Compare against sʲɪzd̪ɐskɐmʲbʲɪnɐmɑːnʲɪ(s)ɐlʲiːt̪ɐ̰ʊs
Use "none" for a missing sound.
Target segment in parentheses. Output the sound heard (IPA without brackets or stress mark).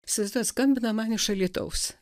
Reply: ʃ